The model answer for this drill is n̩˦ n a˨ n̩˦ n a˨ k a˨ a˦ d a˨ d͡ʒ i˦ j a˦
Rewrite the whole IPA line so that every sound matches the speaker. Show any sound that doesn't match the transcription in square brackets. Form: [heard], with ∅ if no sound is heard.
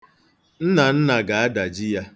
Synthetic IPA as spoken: n̩˦ n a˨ n̩˦ n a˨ [ɡ] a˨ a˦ d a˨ d͡ʒ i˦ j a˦